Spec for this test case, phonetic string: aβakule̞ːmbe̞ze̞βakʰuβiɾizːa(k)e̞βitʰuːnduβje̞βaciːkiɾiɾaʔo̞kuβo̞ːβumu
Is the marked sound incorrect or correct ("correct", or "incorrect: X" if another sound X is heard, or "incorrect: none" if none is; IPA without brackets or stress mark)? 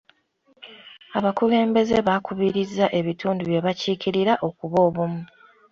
incorrect: ʔ